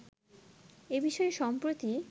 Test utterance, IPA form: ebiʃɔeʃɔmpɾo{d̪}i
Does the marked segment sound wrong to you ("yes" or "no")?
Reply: yes